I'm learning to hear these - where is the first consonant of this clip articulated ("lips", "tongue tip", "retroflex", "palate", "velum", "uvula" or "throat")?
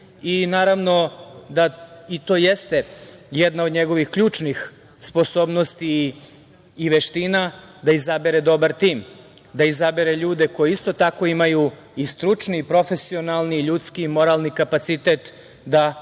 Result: tongue tip